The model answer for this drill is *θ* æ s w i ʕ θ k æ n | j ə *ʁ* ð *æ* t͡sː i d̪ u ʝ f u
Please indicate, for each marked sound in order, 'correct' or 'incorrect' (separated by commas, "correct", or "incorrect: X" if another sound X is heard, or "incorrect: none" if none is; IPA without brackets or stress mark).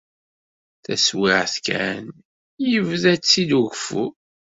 correct, incorrect: v, correct